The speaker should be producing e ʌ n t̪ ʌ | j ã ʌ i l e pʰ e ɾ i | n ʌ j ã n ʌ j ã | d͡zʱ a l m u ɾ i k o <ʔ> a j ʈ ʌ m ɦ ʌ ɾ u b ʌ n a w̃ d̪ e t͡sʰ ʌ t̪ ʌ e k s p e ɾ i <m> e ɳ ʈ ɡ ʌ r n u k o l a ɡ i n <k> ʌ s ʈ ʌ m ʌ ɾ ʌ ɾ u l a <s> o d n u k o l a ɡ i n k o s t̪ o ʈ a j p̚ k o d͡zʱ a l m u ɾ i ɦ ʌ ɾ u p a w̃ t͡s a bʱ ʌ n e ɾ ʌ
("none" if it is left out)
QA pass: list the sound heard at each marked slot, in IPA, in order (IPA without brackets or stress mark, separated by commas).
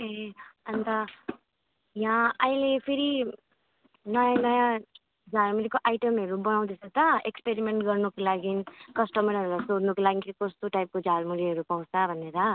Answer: ʔ, m, k, s